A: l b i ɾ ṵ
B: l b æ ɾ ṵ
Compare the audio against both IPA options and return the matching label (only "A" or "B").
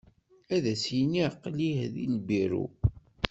A